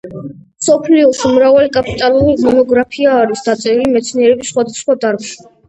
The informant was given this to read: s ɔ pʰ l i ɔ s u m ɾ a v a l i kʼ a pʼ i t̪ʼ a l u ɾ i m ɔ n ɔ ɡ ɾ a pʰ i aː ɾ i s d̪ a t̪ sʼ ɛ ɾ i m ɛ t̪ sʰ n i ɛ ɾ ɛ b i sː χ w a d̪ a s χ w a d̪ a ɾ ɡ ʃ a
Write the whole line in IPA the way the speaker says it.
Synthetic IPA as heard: s ɔ pʰ l i ɔ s u m ɾ a v a l i kʼ a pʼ i t̪ʼ a l u ɾ i m ɔ n ɔ ɡ ɾ a pʰ i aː ɾ i s d̪ a t̪ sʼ ɛ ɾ i m ɛ t̪ sʰ n i ɛ ɾ ɛ b i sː χ w a d̪ a s χ w a d̪ a ɾ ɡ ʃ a